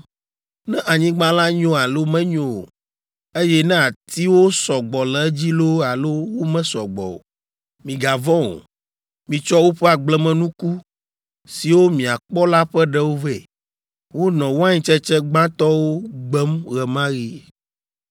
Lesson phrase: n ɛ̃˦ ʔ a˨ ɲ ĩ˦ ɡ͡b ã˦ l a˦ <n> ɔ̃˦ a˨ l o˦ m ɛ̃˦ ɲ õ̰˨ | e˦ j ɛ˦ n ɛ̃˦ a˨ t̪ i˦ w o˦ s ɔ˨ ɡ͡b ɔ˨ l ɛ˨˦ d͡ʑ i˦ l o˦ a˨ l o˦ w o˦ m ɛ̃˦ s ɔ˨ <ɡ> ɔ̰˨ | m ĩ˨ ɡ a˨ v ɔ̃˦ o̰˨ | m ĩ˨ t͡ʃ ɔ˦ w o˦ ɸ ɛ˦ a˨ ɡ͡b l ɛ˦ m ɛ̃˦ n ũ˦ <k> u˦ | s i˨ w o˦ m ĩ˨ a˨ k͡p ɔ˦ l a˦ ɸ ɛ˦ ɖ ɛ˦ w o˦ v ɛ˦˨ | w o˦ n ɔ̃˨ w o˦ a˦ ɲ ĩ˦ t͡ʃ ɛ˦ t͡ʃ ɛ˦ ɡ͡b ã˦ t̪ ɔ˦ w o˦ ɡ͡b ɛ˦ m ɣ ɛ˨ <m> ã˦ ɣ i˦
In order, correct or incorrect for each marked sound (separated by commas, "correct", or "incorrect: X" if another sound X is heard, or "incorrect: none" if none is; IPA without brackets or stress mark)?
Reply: incorrect: ɲ, incorrect: ɡ͡b, correct, correct